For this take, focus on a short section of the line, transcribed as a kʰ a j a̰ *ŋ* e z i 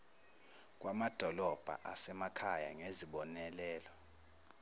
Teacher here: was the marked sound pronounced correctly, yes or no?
yes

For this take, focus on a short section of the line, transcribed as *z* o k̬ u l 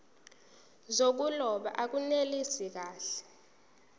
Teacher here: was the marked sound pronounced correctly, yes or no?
yes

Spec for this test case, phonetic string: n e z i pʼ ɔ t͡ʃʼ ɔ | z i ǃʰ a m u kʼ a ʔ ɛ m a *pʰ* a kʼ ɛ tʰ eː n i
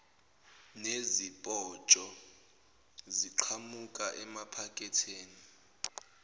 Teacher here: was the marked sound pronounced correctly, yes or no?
yes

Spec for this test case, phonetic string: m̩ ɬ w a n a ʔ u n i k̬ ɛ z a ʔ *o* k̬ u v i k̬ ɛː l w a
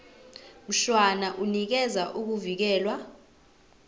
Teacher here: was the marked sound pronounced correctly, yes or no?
no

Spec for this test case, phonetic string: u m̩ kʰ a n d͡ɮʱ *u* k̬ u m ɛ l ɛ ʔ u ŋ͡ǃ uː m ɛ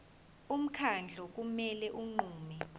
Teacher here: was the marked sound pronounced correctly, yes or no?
no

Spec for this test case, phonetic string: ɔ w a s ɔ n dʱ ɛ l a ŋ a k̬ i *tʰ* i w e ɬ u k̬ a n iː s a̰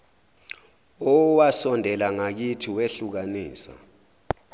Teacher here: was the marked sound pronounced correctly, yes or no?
yes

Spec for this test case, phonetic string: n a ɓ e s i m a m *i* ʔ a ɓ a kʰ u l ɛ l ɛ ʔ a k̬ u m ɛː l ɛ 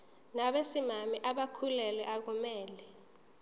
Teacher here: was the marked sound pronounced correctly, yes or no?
yes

